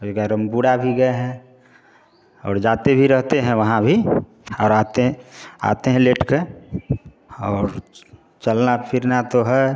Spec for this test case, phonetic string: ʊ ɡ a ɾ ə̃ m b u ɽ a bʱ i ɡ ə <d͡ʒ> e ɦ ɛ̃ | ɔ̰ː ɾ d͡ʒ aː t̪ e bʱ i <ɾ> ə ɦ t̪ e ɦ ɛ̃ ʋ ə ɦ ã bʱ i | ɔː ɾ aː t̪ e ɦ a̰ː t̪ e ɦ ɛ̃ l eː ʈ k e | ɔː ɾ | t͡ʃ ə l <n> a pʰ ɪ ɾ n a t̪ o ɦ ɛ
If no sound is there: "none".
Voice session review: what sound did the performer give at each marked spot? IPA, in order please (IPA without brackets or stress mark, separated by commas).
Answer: none, ɾ, n